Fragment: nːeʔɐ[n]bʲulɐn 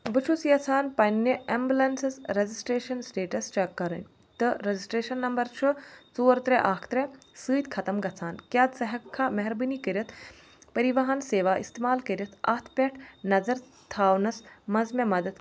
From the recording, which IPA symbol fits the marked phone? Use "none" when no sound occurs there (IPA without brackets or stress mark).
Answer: m